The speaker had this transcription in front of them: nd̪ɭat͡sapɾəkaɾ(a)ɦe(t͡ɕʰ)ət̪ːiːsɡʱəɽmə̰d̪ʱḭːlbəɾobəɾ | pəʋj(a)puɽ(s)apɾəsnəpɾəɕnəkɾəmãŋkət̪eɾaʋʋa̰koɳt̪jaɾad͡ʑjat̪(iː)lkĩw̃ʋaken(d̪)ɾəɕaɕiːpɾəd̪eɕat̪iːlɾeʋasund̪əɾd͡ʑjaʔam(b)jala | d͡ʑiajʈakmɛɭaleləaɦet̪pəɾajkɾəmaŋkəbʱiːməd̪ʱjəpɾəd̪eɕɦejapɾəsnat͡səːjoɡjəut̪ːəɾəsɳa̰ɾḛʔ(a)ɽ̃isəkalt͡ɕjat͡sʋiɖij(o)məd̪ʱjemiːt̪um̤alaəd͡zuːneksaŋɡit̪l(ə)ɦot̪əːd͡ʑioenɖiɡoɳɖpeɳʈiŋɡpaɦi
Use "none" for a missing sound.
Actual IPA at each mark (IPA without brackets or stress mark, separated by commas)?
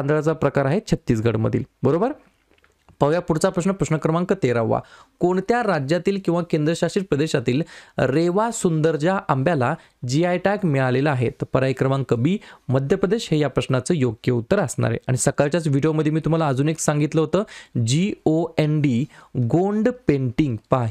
a, t͡ɕʰ, a, t͡s, iː, d̪, b, a, o, ə